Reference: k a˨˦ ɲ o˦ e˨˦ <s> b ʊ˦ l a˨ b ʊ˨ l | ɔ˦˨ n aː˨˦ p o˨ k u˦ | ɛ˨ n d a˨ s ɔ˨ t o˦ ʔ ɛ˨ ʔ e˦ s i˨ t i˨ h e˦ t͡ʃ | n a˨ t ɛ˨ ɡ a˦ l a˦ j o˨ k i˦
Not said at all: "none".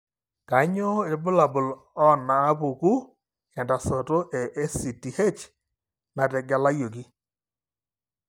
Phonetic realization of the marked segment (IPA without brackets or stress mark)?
none